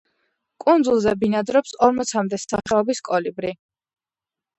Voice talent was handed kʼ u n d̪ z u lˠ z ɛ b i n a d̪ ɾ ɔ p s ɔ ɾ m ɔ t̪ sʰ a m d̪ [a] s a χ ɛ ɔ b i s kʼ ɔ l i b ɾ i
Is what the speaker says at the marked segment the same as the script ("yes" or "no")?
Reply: no